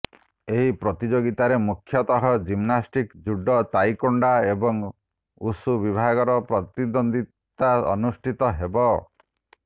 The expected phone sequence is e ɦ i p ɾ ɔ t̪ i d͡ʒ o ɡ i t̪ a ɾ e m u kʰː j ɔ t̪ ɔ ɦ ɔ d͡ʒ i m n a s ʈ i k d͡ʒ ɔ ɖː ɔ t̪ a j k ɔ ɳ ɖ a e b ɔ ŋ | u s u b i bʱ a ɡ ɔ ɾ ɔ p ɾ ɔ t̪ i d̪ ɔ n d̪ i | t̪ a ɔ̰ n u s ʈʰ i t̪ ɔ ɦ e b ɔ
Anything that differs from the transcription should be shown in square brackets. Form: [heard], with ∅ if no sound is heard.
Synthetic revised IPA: e ɦ i p ɾ ɔ t̪ i d͡ʒ o ɡ i t̪ a ɾ e m u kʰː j ɔ t̪ ɔ ɦ ɔ d͡ʒ i m n a s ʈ i k d͡ʒ [u] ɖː ɔ t̪ a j k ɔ ɳ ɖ a e b ɔ ŋ | u s u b i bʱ a ɡ ɔ ɾ ɔ p ɾ ɔ t̪ i d̪ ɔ n d̪ i | t̪ a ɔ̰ n u s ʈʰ i t̪ ɔ ɦ e b ɔ